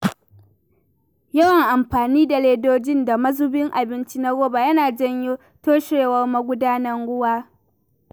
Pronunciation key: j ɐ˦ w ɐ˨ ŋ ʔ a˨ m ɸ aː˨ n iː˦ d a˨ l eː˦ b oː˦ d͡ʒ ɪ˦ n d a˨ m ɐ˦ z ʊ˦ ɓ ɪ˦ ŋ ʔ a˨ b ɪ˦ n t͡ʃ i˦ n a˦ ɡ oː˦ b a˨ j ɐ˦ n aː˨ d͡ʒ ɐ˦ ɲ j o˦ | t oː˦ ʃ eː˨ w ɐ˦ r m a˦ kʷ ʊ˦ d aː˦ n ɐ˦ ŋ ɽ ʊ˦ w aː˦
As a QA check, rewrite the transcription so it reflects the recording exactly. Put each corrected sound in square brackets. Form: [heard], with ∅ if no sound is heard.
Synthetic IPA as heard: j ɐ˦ w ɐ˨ ŋ ʔ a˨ m ɸ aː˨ n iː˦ d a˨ l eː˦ [d] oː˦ d͡ʒ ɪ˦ n d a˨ m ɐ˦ z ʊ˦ [b] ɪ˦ ŋ ʔ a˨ b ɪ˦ n t͡ʃ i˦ n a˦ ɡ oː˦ b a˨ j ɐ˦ n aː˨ d͡ʒ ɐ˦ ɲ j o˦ | t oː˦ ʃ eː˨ w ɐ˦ r m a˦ [ɡʷ] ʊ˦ d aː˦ n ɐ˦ ŋ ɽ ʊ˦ w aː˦